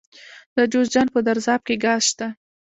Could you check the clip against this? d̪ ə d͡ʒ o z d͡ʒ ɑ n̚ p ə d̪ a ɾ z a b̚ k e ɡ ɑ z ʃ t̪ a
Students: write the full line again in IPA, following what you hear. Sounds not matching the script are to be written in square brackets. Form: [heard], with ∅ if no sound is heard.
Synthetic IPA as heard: d̪ ə d͡ʒ o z d͡ʒ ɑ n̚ p ə d̪ a ɾ z [ɑ] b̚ k e ɡ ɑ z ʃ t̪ a

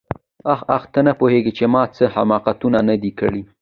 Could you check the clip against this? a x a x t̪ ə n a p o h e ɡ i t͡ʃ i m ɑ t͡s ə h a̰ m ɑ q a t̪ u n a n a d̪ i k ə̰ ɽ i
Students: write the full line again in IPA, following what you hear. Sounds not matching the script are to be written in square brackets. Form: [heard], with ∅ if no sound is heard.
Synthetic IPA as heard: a x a x t̪ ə n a p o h e ɡ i t͡ʃ [e] m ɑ t͡s ə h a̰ m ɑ q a t̪ u n a n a d̪ i k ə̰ ɽ i

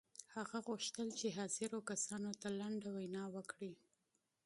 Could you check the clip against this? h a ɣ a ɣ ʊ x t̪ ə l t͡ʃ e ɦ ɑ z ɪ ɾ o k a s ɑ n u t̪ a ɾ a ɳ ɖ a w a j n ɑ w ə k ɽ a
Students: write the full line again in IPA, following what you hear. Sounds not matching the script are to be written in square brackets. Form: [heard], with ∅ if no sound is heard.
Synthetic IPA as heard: h a ɣ a ɣ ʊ [ʃ] t̪ ə l t͡ʃ e ɦ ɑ z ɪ ɾ o k a s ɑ n [o] t̪ a [l] a ɳ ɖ a w a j n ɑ w ə k ɽ [i]

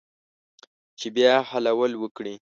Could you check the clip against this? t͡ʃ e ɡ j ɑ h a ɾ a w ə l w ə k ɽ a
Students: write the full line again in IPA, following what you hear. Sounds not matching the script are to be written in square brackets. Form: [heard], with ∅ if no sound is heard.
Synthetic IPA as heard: t͡ʃ e [b] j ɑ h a [l] a w ə l w ə k ɽ [i]

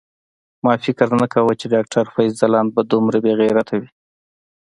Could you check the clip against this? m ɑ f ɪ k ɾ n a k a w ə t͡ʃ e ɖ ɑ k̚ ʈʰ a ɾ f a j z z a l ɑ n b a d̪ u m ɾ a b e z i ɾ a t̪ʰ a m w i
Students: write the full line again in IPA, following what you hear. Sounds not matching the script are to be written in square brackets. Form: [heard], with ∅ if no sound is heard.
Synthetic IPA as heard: m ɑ f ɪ k ɾ n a k a w ə t͡ʃ e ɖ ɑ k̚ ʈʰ a ɾ f a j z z a l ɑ n b a d̪ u m ɾ a b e [ɣ] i ɾ a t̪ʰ a [∅] w i

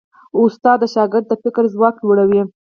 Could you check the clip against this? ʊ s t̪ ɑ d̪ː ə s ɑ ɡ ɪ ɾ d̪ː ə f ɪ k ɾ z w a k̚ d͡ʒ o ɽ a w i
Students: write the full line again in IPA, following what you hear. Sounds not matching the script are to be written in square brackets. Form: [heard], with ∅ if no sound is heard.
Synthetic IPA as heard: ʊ s t̪ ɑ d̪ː ə [ʃ] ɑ ɡ ɪ ɾ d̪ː ə f ɪ k ɾ z w [ɑ] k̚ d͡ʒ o ɽ a w i

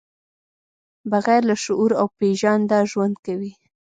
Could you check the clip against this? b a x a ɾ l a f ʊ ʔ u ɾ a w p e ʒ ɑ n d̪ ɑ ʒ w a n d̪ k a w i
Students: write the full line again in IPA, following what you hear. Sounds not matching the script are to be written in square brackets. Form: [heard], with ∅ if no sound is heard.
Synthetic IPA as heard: b a [ɣ] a ɾ l a [ʃ] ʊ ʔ u ɾ a w p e ʒ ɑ n d̪ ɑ ʒ w a n d̪ k a w i

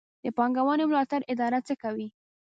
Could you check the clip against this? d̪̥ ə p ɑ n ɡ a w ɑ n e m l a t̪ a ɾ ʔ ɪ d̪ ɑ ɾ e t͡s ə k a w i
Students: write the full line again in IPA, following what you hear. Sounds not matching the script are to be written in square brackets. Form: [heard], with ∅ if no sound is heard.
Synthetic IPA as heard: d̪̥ ə p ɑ [ŋ] ɡ a w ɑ n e m l [ɑ] t̪ a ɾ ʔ ɪ d̪ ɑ ɾ [a] t͡s ə k a w i

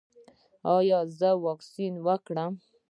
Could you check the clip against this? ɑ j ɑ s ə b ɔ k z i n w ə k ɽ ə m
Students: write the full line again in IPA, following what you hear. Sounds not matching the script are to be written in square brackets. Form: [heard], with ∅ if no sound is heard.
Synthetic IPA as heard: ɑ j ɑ [z] ə [w] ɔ k [s] i n w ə k ɽ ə m

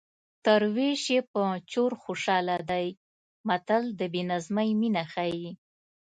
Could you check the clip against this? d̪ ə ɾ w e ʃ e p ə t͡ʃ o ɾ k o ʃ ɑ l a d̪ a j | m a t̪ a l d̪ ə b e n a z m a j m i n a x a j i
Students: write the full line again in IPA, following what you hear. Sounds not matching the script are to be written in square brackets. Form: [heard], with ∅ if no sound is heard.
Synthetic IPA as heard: [t̪] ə ɾ w e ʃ e p ə t͡ʃ o ɾ [x] o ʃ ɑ l a d̪ a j | m a t̪ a l d̪ ə b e n a z m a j m i n a x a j i

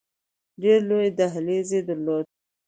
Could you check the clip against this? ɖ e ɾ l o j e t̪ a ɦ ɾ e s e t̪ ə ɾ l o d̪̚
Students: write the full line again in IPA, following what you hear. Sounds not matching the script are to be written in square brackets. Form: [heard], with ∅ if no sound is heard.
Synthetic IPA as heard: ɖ e ɾ l o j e [d̪] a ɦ [l] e [z] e [d̪] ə ɾ l o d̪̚

